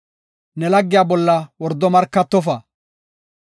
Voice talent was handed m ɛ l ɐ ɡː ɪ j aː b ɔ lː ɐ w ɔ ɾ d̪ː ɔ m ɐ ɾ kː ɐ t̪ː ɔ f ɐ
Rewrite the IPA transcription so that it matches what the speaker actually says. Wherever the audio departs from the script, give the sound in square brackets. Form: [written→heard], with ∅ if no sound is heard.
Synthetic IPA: [m→n] ɛ l ɐ ɡː ɪ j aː b ɔ lː ɐ w ɔ ɾ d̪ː ɔ m ɐ ɾ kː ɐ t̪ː ɔ f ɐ

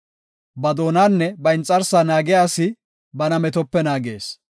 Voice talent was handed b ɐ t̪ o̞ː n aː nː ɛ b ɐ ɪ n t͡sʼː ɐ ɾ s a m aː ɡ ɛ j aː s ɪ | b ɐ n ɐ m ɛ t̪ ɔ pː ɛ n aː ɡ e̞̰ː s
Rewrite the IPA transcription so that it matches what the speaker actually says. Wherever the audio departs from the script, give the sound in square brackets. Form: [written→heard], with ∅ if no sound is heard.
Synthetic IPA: b ɐ [t̪→d̪] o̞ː n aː nː ɛ b ɐ ɪ n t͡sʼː ɐ ɾ s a [m→n] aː ɡ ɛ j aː s ɪ | b ɐ n ɐ m ɛ t̪ ɔ pː ɛ n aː ɡ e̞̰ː s

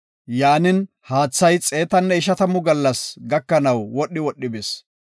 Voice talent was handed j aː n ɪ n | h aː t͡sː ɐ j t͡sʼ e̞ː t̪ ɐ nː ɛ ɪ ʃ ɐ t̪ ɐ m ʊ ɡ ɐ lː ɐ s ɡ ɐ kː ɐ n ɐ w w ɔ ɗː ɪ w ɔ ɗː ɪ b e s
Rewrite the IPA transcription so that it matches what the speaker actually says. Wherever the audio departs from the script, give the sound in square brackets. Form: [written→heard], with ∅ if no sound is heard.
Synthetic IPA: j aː n ɪ n | h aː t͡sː ɐ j t͡sʼ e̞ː t̪ ɐ nː ɛ ɪ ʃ ɐ t̪ ɐ m ʊ ɡ ɐ lː ɐ s ɡ ɐ kː ɐ n ɐ w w ɔ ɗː ɪ w ɔ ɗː ɪ b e s

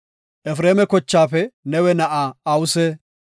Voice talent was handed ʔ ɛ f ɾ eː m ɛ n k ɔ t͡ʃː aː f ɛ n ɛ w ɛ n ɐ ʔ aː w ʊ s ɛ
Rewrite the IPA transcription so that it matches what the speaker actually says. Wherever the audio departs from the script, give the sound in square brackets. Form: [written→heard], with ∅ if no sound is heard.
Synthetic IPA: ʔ ɛ f ɾ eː m ɛ [n→∅] k ɔ t͡ʃː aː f ɛ n ɛ w ɛ n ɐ ʔ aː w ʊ s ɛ

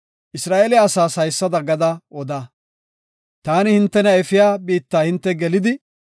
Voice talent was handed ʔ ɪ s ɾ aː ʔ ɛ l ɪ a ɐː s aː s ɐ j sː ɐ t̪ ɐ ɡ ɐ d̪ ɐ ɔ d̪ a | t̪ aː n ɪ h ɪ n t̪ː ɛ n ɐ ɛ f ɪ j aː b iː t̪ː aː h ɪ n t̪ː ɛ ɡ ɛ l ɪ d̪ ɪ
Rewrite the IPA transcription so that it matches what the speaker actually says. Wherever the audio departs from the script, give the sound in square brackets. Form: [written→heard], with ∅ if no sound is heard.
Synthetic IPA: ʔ ɪ s ɾ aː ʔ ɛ l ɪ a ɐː s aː s ɐ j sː ɐ [t̪→d̪] ɐ ɡ ɐ d̪ ɐ ɔ d̪ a | t̪ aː n ɪ h ɪ n t̪ː ɛ n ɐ ɛ f ɪ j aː b iː t̪ː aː h ɪ n t̪ː ɛ ɡ ɛ l ɪ d̪ ɪ

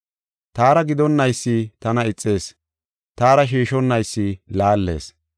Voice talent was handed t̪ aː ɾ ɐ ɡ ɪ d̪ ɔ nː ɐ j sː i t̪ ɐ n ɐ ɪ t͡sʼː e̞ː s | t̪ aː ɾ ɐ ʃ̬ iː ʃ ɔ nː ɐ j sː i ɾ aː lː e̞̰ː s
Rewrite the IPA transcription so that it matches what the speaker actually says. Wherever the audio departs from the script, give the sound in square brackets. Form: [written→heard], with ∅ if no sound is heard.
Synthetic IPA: t̪ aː ɾ ɐ ɡ ɪ d̪ ɔ nː ɐ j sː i t̪ ɐ n ɐ ɪ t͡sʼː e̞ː s | t̪ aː ɾ ɐ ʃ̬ iː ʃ ɔ nː ɐ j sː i [ɾ→l] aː lː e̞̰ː s

